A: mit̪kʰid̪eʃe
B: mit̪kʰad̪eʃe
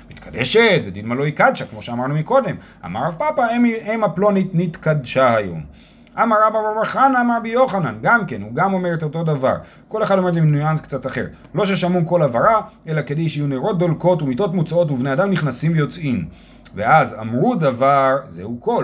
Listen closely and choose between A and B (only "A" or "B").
B